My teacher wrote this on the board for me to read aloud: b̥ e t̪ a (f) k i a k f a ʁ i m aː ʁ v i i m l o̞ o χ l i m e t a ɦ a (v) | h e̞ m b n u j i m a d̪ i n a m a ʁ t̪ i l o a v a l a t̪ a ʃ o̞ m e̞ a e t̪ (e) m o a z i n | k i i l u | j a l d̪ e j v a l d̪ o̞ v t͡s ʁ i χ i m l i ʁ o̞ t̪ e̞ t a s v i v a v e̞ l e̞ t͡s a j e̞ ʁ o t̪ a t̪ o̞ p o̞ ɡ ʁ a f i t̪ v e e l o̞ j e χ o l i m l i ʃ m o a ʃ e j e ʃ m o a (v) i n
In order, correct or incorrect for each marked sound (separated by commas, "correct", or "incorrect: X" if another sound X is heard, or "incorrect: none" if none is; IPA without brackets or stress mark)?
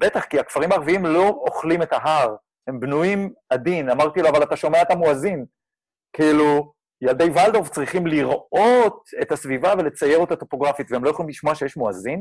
incorrect: χ, incorrect: ʁ, incorrect: a, incorrect: z